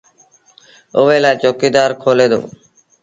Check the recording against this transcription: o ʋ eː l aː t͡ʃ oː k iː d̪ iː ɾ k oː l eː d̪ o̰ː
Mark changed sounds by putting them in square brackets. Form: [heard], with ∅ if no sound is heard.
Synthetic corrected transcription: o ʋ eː l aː t͡ʃ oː k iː d̪ [aː] ɾ [kʰ] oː l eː d̪ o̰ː